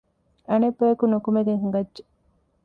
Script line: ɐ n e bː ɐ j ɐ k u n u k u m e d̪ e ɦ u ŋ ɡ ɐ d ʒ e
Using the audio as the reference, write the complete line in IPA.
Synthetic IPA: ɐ n e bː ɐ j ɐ k u n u k u m e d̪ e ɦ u ŋ ɡ ɐ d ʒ e